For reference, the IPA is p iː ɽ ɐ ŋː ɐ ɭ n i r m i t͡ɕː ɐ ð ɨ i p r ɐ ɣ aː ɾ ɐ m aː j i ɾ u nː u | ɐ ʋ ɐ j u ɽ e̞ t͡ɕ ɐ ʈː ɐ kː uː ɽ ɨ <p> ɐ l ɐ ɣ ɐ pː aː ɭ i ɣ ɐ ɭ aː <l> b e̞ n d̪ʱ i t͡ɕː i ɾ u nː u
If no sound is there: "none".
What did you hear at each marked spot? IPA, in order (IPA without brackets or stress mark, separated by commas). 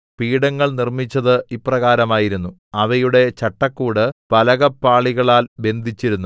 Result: p, l